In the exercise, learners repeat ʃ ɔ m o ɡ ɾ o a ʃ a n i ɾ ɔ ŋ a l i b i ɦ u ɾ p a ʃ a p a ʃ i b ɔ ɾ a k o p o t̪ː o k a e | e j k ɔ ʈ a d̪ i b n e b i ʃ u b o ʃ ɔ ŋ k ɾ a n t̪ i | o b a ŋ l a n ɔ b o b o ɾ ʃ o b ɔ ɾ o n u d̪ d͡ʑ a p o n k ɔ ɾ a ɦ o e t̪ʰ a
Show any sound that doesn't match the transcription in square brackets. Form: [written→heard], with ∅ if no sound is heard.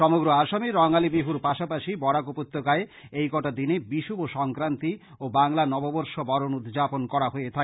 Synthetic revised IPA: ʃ ɔ m o ɡ ɾ o a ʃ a [n→m] i ɾ ɔ ŋ a l i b i ɦ u ɾ p a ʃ a p a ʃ i b ɔ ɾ a k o p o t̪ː o k a e | e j k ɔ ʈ a d̪ i [b→∅] n e b i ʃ u b o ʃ ɔ ŋ k ɾ a n t̪ i | o b a ŋ l a n ɔ b o b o ɾ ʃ o b ɔ ɾ o n u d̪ d͡ʑ a p o n k ɔ ɾ a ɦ o e t̪ʰ a